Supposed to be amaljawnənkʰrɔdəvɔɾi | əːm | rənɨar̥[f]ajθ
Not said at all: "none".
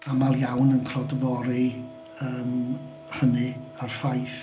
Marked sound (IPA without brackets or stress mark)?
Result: f